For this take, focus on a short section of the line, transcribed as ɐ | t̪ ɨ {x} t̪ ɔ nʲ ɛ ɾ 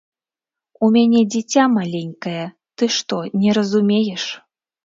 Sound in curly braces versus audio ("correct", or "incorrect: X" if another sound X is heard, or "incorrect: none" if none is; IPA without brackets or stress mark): incorrect: ʂ